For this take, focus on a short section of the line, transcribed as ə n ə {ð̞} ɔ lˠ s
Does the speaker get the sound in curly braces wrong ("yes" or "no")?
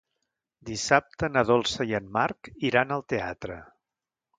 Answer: no